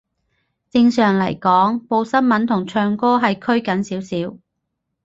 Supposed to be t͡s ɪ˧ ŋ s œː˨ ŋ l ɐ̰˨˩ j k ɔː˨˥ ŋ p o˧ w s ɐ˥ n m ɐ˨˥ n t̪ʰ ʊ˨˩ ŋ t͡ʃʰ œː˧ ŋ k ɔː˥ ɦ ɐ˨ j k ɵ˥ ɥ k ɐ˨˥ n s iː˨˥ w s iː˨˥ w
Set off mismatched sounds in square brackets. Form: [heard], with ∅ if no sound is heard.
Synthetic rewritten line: t͡s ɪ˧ ŋ s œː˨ ŋ l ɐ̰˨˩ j k ɔː˨˥ ŋ p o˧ w s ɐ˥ n m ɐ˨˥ n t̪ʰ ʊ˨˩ ŋ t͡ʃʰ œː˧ ŋ k ɔː˥ ɦ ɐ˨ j [kʰ] ɵ˥ ɥ k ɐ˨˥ n s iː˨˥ w s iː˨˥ w